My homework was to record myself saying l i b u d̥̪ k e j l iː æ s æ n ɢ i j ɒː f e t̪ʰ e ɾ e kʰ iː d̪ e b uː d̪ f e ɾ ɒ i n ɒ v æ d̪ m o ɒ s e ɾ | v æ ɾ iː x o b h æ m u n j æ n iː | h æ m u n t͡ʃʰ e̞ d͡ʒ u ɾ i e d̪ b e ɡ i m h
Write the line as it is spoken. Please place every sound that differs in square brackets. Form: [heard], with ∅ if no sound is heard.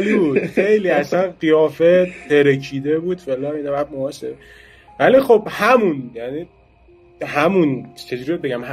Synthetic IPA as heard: l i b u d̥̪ [x] e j l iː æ s æ n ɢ i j ɒː f e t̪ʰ e ɾ e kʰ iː d̪ e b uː d̪ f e [l] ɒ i n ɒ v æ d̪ m o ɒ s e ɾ | v æ [l] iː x o b h æ m u n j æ n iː | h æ m u n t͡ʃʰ e̞ d͡ʒ u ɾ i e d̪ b e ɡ [æ] m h